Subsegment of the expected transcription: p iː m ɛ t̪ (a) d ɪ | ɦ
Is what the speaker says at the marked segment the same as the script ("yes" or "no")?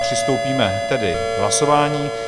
no